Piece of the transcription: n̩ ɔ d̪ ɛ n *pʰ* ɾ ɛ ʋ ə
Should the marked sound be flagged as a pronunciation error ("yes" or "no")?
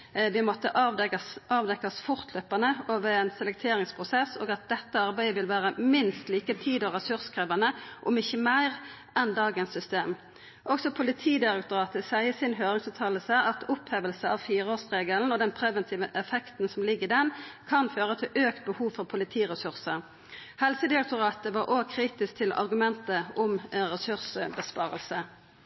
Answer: no